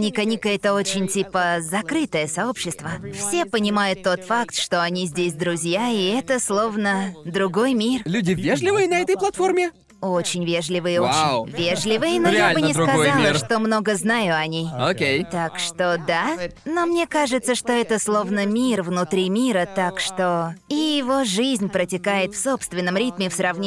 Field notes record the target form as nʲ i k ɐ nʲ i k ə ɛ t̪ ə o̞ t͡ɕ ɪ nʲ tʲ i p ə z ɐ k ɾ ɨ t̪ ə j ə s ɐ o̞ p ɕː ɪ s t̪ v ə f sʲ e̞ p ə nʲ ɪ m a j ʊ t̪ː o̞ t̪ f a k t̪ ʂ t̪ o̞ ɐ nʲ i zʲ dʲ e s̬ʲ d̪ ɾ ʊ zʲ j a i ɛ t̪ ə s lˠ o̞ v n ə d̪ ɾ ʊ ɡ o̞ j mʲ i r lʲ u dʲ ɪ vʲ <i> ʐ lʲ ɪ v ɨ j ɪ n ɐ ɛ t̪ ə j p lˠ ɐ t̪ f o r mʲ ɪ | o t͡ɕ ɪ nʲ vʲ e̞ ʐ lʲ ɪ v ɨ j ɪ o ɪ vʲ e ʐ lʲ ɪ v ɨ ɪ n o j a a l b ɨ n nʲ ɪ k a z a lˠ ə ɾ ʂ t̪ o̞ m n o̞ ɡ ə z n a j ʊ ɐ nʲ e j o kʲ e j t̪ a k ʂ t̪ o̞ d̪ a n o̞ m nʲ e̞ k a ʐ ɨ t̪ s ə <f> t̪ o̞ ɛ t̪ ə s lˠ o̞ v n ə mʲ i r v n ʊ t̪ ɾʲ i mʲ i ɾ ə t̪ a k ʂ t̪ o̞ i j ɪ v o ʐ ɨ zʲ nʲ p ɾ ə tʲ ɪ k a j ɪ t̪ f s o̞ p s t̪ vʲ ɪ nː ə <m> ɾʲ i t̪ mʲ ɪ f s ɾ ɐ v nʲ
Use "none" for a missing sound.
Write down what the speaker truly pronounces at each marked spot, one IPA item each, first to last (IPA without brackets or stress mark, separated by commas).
e, ʂ, m